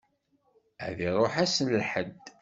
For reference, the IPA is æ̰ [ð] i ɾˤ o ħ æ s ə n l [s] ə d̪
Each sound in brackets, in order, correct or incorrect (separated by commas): correct, incorrect